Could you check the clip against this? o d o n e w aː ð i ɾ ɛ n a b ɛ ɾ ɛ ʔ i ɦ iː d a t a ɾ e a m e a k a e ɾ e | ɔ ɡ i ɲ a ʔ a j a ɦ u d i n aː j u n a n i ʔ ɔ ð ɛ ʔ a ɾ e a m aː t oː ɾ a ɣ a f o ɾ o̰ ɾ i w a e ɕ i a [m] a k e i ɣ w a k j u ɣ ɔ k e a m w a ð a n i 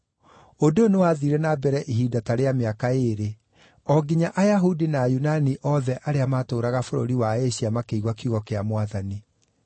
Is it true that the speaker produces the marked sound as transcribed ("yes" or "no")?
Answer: yes